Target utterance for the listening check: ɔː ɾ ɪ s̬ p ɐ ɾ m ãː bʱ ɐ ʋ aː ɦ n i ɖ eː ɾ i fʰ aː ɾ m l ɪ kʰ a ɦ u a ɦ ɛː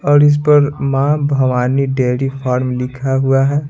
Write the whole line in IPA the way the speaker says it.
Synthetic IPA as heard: ɔː ɾ ɪ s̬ p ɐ ɾ m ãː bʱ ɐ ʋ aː n i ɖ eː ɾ i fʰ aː ɾ m l ɪ kʰ a ɦ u a ɦ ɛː